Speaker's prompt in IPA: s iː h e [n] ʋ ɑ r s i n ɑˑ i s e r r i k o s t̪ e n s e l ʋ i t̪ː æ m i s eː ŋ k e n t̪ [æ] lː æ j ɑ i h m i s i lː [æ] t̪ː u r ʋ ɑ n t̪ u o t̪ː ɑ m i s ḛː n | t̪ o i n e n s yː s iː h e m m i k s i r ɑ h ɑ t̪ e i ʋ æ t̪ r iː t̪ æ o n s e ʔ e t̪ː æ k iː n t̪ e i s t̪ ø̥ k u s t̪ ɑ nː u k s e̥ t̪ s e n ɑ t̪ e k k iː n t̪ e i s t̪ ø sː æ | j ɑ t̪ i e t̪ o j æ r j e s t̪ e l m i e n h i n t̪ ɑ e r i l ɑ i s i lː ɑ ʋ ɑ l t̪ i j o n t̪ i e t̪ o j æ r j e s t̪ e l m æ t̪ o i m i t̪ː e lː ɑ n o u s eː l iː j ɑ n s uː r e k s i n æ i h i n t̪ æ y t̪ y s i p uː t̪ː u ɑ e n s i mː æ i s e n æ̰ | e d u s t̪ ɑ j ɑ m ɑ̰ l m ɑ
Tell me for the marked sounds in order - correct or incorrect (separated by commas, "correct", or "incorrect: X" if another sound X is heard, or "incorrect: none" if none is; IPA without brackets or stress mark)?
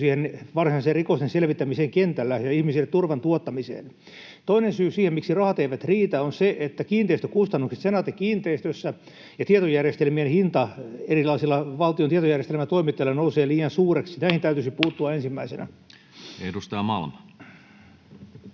correct, correct, incorrect: e